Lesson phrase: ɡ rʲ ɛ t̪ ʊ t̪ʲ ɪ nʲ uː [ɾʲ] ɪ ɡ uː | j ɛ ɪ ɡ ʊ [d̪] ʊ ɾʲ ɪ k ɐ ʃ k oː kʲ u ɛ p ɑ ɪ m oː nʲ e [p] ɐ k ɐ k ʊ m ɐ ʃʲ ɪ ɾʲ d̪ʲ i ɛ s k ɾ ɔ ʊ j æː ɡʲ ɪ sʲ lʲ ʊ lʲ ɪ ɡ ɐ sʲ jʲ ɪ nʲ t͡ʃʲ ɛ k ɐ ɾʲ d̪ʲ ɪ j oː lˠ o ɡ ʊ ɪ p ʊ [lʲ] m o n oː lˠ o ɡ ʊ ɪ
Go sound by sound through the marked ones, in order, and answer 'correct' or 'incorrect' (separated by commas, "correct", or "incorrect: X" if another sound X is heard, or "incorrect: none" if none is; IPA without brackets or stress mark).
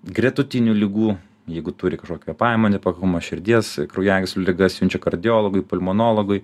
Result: incorrect: lʲ, incorrect: t̪, correct, correct